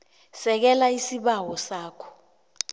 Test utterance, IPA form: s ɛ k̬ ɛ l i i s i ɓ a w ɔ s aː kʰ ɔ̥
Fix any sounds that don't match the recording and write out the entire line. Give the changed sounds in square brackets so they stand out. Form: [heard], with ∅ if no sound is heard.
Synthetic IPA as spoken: s ɛ k̬ ɛ l [a] i s i ɓ a w ɔ s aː kʰ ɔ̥